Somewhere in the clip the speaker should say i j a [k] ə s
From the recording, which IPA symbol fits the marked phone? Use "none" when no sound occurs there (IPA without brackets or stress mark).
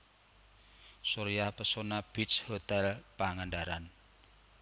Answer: p